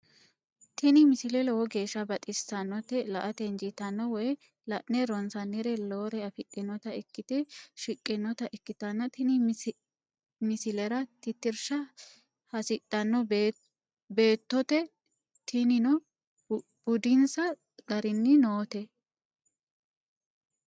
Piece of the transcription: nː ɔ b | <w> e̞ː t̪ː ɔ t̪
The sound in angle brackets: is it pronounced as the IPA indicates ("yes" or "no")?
no